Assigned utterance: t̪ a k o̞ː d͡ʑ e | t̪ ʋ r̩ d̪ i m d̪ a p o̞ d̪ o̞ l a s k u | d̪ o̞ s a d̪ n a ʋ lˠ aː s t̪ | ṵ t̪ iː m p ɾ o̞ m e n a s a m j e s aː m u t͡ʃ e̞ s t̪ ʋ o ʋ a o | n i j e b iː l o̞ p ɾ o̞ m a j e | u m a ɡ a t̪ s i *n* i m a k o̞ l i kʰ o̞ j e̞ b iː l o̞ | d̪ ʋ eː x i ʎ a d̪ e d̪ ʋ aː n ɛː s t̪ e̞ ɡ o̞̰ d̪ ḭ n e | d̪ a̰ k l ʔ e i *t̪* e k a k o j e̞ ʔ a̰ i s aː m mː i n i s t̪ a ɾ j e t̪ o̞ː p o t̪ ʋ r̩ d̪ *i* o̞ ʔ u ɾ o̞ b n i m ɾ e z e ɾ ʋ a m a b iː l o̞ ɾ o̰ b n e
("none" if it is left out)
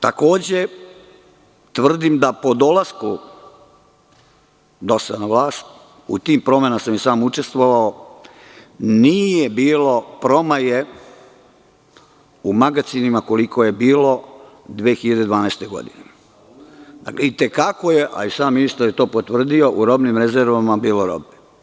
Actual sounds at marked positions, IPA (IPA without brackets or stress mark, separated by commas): n, t̪, i